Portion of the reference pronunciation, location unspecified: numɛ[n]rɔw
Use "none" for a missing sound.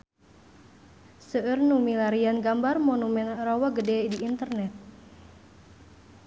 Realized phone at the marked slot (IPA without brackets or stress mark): n